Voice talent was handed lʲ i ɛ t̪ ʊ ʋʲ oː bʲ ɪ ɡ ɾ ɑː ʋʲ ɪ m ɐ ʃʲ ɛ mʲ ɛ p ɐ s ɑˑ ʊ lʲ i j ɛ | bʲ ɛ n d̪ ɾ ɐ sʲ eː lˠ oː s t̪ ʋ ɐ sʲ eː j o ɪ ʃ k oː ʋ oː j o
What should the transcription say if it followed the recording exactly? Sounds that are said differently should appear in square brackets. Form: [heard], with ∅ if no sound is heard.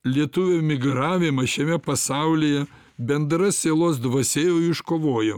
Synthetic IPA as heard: lʲ i ɛ t̪ ʊ ʋʲ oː [mʲ] ɪ ɡ ɾ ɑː ʋʲ ɪ m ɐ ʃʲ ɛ mʲ ɛ p ɐ s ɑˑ ʊ lʲ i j ɛ | bʲ ɛ n d̪ ɾ ɐ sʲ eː lˠ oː s [d̪] ʋ ɐ sʲ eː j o ɪ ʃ k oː ʋ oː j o